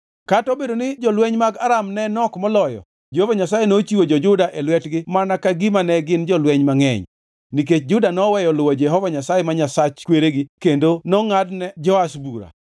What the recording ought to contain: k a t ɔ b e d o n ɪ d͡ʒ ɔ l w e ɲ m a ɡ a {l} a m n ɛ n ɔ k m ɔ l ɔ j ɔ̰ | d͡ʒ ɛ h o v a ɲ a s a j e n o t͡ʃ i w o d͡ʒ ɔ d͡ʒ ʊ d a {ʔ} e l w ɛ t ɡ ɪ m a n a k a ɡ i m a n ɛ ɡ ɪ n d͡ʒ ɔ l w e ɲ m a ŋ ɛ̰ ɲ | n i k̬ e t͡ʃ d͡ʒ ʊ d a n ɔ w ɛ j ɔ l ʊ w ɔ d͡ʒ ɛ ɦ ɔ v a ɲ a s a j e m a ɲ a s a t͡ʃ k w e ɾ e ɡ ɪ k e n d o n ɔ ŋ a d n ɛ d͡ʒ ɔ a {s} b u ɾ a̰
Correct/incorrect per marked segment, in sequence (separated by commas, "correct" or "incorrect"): incorrect, correct, correct